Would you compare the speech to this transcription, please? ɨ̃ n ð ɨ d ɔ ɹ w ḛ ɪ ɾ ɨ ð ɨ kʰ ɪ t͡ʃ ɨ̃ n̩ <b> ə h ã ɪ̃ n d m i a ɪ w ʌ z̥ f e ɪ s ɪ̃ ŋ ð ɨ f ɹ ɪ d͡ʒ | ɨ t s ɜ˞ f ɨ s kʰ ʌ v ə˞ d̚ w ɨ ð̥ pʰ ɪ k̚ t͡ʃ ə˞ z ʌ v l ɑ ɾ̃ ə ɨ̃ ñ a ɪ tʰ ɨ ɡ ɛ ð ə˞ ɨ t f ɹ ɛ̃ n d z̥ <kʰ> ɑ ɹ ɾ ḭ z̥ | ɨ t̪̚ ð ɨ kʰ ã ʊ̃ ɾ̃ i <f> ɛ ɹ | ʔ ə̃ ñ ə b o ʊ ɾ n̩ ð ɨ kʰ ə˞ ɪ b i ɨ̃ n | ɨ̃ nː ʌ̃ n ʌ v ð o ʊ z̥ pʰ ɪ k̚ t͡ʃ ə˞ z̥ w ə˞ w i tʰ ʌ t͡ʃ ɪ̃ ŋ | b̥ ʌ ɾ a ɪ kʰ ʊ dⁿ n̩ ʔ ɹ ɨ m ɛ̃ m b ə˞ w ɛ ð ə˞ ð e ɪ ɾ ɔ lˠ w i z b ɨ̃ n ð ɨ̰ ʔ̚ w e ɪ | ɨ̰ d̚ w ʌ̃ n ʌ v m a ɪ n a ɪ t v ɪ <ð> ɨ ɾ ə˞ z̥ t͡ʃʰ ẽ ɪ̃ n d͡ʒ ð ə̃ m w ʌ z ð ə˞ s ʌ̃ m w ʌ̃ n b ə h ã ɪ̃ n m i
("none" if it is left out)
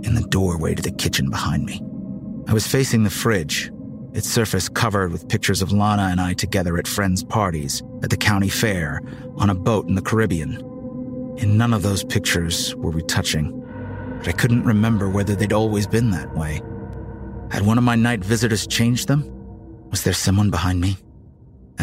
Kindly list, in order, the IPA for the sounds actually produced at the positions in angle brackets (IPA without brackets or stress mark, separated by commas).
b, pʰ, f, z